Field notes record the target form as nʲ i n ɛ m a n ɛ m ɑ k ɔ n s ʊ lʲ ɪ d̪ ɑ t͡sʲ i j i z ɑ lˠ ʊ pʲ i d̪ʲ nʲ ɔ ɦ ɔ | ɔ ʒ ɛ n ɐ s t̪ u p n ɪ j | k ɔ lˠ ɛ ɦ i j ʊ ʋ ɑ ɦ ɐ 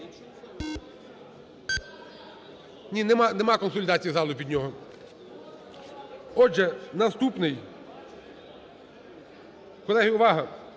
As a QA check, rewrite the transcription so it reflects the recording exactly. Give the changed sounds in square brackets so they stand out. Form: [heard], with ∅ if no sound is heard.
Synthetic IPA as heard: nʲ i n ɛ m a n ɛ m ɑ k ɔ n s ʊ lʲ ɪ d̪ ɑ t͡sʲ i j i z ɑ lˠ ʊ pʲ i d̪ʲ nʲ ɔ ɦ ɔ | ɔ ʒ ɛ n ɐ s t̪ u p n ɪ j | k ɔ lˠ ɛ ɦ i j ʊ ʋ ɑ ɦ ɐ